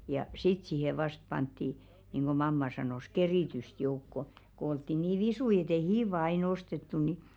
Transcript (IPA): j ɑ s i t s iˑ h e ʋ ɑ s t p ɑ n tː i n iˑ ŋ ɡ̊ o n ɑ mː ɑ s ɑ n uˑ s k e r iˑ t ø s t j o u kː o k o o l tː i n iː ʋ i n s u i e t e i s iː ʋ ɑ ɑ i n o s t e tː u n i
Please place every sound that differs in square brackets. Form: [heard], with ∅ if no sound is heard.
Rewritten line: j ɑ s i t s iˑ h e ʋ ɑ s t p ɑ n tː i n iˑ ŋ ɡ̊ o [m] ɑ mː ɑ s ɑ n [oˑ] s k e r iˑ t [y] s t j o u kː o k o o l tː i n iː ʋ i [∅] s u i e t e i [h] iː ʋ ɑ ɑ i n o s t e tː u n i